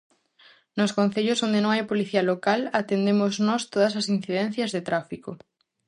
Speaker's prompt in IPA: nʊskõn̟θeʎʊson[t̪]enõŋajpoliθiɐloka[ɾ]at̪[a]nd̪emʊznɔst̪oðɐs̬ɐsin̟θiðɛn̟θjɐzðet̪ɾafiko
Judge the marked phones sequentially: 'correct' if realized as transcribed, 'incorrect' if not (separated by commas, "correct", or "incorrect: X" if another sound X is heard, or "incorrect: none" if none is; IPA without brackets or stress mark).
incorrect: d̪, incorrect: l, incorrect: e